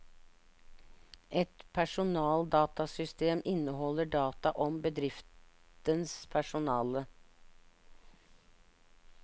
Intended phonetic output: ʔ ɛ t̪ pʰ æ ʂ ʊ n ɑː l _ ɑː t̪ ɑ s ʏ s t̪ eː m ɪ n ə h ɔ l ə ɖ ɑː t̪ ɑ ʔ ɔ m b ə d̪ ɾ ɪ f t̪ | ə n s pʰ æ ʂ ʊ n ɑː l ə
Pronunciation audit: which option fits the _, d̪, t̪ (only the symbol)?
d̪